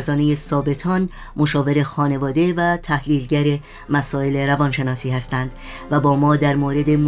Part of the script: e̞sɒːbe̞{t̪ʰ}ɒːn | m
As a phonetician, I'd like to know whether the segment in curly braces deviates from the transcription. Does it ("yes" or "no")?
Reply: no